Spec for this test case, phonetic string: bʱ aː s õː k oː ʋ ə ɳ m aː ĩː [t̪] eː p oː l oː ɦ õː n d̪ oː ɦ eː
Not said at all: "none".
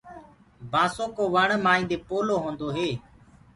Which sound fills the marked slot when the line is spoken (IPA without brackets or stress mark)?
d̪